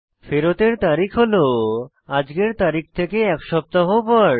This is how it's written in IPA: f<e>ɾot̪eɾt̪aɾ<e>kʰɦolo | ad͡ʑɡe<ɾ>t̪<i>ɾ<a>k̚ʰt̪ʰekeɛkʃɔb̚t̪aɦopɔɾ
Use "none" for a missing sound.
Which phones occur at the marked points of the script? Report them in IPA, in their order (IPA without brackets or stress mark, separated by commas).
e, i, ɾ, a, i